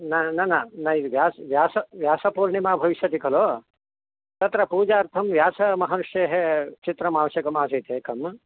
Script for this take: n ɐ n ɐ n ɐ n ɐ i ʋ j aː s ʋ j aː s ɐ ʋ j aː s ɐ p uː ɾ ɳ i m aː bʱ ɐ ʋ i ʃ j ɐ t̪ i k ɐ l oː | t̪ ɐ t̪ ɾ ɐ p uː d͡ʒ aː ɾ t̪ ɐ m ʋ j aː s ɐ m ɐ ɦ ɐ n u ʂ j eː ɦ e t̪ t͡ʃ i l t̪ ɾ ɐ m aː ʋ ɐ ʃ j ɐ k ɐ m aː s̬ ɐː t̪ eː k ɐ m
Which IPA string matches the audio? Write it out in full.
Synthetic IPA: n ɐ n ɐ n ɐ n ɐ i ʋ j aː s ʋ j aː s ɐ ʋ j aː s ɐ p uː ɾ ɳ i m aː bʱ ɐ ʋ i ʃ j ɐ t̪ i k ɐ l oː | t̪ ɐ t̪ ɾ ɐ p uː d͡ʒ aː ɾ t̪ʰ ɐ m ʋ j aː s ɐ m ɐ ɦ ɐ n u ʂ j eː ɦ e t͡ʃ i t̪ ɾ ɐ m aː ʋ ɐ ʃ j ɐ k ɐ m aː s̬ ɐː t̪ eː k ɐ m